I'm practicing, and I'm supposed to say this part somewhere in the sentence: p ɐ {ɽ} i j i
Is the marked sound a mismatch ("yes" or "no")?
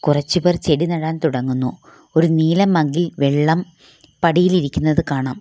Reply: no